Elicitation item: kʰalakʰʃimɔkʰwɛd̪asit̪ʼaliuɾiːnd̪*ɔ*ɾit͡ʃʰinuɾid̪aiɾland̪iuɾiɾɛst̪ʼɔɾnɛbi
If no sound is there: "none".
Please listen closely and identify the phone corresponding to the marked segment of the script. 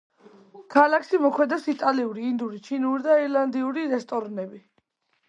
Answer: u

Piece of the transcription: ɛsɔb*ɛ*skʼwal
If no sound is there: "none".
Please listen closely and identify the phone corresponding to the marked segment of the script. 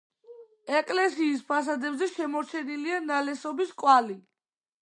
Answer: i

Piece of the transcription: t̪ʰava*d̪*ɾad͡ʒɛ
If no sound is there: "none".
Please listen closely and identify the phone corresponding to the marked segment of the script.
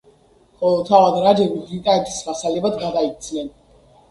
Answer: d̪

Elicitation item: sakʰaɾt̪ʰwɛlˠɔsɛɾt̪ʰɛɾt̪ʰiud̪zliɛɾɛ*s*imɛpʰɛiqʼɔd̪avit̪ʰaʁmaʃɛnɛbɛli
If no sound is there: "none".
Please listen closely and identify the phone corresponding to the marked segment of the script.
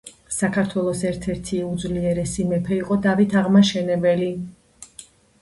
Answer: s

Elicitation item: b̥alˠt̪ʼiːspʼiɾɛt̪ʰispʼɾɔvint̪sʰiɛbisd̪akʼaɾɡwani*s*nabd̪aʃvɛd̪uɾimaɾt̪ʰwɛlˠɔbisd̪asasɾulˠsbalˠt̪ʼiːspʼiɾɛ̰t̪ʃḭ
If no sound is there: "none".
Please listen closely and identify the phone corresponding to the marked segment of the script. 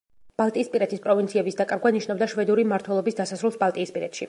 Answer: ʃ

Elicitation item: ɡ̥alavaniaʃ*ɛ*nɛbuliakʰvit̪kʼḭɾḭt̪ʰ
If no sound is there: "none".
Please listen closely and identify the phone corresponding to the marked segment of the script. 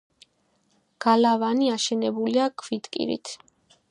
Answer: ɛ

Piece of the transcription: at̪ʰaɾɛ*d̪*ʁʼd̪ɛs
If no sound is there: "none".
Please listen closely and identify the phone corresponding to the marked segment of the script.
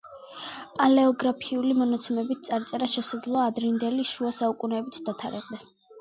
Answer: none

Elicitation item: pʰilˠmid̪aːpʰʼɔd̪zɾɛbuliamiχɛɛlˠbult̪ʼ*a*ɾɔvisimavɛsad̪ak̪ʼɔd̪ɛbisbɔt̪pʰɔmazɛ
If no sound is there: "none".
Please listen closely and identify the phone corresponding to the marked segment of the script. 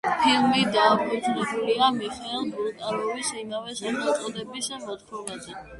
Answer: a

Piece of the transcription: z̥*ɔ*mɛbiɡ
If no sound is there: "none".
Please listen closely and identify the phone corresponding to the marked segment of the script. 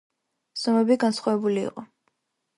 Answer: ɔ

